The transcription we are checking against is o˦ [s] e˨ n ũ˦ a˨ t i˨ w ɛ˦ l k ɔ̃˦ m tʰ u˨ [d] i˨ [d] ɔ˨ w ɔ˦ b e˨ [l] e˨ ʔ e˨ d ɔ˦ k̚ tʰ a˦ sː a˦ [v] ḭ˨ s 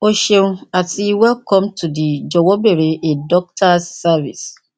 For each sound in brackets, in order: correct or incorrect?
incorrect: ʃ, correct, incorrect: d͡ʒ, incorrect: ɾ, correct

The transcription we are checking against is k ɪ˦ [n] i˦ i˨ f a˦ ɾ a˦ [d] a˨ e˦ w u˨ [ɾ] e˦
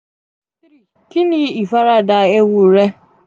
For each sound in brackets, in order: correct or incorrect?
correct, correct, correct

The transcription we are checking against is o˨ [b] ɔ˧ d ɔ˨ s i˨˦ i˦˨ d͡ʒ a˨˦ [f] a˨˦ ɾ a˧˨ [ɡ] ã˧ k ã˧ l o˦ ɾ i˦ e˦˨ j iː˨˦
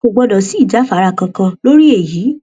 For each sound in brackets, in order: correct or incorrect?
incorrect: ɡ͡b, correct, incorrect: k

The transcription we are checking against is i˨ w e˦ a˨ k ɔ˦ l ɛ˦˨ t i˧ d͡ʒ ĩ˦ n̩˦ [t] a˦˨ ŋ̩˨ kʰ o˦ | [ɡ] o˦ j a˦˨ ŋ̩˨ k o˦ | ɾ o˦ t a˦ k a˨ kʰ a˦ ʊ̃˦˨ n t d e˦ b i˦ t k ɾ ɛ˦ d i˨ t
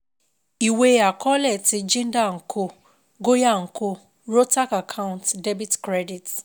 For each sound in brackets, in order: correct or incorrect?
incorrect: d, correct

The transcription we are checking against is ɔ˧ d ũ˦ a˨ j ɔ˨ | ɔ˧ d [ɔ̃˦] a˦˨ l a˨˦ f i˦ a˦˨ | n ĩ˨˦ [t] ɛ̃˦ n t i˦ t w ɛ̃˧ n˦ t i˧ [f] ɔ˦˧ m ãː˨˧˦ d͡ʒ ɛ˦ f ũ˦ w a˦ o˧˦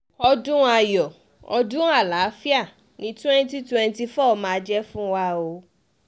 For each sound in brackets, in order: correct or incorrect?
incorrect: ũ˦, correct, correct

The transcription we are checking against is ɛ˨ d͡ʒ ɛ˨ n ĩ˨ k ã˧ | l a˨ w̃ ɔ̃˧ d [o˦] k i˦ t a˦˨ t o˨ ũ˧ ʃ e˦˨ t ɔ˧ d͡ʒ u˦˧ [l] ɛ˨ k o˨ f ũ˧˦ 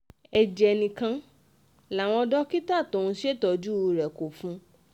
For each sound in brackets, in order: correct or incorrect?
incorrect: ɔ˦, incorrect: ɾ

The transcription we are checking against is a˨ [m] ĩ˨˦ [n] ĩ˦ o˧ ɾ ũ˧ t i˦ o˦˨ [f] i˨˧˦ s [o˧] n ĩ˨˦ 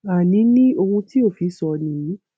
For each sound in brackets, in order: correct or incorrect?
incorrect: n, correct, correct, incorrect: ɔ˧

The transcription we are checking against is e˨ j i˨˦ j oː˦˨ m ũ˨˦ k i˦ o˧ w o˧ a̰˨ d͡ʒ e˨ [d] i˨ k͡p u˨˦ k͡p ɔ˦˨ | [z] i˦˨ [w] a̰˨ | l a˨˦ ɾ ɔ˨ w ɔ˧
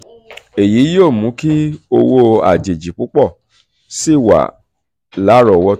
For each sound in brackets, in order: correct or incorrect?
incorrect: d͡ʒ, incorrect: s, correct

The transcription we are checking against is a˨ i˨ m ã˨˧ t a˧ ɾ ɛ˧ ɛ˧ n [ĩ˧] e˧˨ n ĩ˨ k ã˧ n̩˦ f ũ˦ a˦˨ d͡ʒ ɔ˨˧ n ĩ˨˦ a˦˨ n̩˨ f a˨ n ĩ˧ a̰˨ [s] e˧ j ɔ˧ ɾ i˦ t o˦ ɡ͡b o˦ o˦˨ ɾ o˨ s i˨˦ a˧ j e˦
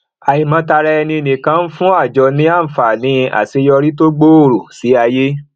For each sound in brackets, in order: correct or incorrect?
correct, correct

